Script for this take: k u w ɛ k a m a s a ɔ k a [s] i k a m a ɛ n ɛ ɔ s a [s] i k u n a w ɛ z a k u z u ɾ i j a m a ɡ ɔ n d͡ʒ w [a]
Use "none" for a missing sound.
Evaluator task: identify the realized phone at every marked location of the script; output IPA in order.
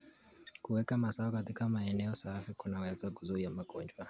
t, f, a

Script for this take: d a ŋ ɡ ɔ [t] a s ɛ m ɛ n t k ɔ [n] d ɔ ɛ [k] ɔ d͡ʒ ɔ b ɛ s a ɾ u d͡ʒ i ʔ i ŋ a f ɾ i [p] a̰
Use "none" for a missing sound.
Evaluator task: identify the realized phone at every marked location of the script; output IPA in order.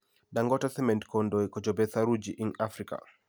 t, n, k, k

